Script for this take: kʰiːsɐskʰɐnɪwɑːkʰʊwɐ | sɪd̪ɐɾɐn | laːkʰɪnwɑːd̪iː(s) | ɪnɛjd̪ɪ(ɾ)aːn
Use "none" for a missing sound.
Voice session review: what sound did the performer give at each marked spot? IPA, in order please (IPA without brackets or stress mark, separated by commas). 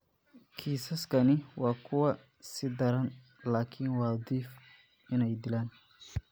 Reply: f, l